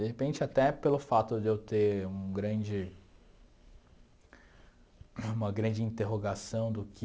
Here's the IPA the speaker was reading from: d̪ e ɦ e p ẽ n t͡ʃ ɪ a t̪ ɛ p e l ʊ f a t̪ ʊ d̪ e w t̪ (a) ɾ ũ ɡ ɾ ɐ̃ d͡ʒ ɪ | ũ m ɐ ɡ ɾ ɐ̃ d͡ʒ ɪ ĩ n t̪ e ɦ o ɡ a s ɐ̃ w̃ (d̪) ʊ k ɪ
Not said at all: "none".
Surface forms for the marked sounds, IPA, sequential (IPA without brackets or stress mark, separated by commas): e, d̪